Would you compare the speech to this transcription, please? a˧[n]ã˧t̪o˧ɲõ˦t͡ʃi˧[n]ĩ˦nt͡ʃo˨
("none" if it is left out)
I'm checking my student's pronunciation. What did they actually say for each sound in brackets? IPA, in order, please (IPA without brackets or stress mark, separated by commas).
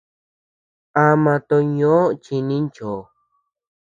m, n